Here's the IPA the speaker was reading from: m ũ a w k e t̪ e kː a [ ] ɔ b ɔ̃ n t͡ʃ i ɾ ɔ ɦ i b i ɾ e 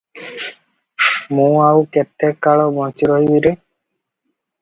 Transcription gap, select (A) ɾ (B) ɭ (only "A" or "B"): B